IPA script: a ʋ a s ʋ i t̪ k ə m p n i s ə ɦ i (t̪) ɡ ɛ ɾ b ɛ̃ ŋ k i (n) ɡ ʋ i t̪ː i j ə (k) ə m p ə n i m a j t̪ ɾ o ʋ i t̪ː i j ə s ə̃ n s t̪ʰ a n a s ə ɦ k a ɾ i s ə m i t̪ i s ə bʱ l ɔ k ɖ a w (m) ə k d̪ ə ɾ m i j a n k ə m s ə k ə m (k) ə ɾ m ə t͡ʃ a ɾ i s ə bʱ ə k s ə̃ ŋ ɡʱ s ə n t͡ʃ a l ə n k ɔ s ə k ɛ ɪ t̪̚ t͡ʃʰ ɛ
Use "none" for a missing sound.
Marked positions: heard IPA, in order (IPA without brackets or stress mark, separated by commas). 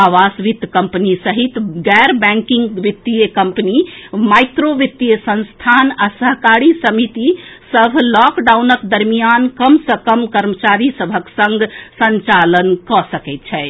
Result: t̪, ŋ, k, n, k